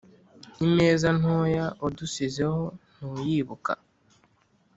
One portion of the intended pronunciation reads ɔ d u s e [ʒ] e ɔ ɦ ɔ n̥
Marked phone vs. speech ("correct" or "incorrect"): incorrect